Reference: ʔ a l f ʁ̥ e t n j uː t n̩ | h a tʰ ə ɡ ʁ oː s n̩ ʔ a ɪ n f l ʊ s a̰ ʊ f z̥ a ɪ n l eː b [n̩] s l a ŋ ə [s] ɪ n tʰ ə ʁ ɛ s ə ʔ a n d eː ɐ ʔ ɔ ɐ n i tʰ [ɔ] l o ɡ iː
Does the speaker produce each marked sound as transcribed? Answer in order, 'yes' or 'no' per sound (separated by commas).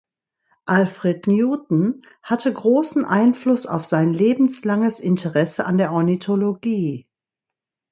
no, yes, no